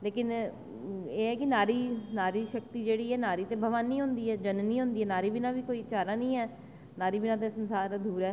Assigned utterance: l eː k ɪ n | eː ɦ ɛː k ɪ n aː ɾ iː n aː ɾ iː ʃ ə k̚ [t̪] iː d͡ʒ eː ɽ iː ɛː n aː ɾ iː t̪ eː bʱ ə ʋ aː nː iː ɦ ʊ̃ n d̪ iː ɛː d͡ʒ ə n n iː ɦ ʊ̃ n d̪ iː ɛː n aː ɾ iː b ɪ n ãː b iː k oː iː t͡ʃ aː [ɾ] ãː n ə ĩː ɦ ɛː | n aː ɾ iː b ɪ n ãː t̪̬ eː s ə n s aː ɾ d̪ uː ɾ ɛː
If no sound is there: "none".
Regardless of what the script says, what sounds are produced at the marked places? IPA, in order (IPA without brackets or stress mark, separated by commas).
t̪, ɾ